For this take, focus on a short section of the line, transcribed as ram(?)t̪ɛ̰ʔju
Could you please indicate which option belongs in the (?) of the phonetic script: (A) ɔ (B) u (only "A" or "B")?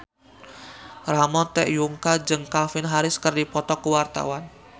A